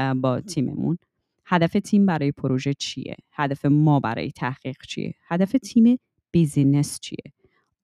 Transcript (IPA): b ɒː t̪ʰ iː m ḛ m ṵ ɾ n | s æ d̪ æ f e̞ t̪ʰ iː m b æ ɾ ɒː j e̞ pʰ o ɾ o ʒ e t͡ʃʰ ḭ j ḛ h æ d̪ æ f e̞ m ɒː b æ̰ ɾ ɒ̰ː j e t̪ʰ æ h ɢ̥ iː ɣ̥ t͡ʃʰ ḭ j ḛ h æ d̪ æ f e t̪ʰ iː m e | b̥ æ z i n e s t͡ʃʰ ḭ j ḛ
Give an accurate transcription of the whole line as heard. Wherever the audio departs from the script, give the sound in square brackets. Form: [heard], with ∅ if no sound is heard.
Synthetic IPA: b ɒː t̪ʰ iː m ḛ m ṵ [∅] n | [h] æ d̪ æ f e̞ t̪ʰ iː m b æ ɾ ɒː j e̞ pʰ o ɾ o ʒ e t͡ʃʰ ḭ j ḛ h æ d̪ æ f e̞ m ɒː b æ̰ ɾ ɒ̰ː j e t̪ʰ æ h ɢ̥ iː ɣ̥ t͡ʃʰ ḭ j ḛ h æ d̪ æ f e t̪ʰ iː m e | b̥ [i] z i n e s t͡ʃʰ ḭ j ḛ